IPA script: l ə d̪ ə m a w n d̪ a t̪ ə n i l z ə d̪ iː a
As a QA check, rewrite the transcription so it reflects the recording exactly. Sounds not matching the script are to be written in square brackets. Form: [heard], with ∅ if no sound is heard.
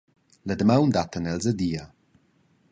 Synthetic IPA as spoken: l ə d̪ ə m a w n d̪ a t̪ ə n [ɛ] l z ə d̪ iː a